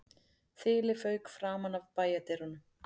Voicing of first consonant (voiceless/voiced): voiceless